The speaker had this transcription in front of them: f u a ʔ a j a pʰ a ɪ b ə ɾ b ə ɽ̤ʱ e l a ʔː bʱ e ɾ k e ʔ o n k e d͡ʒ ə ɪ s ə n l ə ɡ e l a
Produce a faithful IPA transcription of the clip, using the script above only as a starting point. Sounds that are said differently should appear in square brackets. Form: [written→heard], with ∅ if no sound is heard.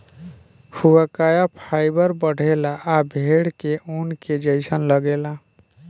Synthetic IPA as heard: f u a [ʔ→k] a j a pʰ a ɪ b ə ɾ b ə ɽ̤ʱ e l a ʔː bʱ e [ɾ→ɽ] k e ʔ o n k e d͡ʒ ə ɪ s ə n l ə ɡ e l a